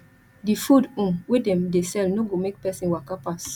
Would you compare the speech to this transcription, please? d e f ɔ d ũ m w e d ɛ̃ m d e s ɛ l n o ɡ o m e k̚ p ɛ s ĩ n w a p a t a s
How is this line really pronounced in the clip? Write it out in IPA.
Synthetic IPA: d i f u d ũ m w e d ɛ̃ m d e s ɛ l n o ɡ o m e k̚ p ɛ s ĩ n w a k a p a s